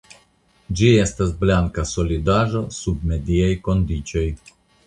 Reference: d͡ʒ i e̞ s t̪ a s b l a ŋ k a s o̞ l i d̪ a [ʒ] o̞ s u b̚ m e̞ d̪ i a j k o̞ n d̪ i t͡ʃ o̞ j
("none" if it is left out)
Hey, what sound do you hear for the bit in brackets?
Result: ʒ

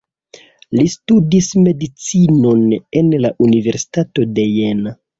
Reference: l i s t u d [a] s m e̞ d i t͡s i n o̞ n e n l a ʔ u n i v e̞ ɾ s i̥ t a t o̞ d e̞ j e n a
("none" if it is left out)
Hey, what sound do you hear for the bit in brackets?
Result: i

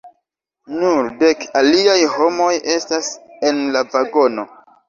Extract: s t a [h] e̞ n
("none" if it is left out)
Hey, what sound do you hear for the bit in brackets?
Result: s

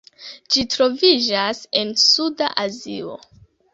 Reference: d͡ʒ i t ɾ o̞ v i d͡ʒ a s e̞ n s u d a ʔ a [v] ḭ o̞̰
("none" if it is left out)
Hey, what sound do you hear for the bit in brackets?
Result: z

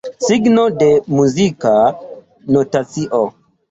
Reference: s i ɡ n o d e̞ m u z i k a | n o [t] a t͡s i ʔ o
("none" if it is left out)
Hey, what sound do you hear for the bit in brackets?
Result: t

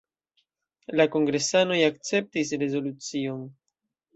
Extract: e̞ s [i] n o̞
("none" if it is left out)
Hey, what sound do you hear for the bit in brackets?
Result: a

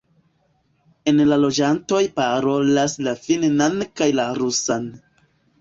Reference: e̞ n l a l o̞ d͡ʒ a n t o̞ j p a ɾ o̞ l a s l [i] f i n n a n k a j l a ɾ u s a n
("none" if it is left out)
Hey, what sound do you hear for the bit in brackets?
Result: a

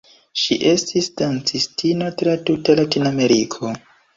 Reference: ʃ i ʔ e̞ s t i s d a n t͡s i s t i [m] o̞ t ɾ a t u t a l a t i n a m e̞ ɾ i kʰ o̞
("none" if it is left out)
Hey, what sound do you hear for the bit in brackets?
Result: n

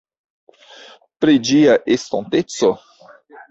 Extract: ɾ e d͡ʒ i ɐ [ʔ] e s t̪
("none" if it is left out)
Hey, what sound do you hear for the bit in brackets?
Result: ʔ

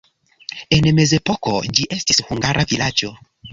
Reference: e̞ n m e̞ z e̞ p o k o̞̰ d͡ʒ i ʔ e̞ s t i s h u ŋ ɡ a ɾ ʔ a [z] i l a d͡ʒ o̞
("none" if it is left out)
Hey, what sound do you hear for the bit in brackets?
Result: v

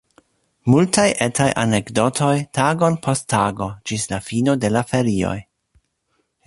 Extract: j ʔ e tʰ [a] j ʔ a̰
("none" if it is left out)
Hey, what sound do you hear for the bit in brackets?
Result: a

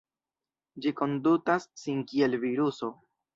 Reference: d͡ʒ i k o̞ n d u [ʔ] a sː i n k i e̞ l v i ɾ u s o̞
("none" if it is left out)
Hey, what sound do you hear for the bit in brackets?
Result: t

